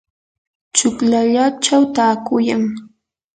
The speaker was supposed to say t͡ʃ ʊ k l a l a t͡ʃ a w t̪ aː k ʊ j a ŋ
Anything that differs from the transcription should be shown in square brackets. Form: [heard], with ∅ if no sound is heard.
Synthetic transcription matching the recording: t͡ʃ ʊ k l a [ʎ] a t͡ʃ a w t̪ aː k ʊ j a ŋ